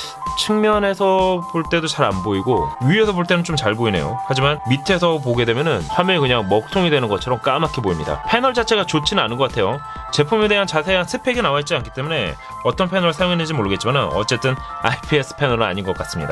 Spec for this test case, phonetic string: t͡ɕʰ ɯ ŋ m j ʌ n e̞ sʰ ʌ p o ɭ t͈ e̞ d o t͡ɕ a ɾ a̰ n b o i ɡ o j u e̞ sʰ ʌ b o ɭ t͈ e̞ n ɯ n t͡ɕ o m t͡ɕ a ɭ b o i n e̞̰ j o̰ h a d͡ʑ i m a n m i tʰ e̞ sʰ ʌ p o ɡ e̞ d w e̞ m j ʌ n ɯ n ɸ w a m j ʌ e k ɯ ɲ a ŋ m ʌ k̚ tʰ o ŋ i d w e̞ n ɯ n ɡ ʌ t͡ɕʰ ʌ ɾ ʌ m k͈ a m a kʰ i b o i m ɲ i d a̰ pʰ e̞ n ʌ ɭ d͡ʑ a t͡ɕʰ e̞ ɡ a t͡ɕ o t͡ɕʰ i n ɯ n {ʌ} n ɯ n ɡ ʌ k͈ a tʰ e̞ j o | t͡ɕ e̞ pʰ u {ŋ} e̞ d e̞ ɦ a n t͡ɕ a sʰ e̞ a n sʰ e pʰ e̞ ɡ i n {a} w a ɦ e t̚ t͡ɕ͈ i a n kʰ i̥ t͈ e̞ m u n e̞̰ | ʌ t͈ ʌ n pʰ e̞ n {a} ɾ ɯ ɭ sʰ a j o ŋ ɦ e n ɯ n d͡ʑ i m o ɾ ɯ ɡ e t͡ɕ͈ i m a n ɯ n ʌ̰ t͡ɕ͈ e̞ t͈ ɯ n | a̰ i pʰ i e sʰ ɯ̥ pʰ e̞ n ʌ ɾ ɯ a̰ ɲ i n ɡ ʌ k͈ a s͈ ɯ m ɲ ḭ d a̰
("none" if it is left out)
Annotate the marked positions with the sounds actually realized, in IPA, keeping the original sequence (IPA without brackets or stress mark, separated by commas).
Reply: a, m, a, ʌ